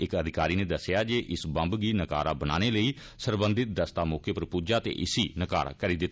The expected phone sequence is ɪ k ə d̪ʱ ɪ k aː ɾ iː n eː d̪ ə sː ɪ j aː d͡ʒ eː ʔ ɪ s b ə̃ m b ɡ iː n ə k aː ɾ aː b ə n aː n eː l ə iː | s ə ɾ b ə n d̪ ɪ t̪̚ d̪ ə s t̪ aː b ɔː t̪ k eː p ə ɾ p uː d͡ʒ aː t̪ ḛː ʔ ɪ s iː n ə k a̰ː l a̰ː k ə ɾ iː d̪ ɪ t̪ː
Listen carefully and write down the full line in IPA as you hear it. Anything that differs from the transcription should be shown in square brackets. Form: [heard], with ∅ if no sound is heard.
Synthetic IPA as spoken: ɪ k ə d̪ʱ ɪ k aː ɾ iː n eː d̪ ə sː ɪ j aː d͡ʒ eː ʔ ɪ s b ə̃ m b ɡ iː n ə k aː ɾ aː b ə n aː n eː l ə iː | s ə ɾ b ə n d̪ ɪ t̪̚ d̪ ə s t̪ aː [m] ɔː [∅] k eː p ə ɾ p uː d͡ʒ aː t̪ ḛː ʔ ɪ s iː n ə k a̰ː [ɾ] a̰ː k ə ɾ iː d̪ ɪ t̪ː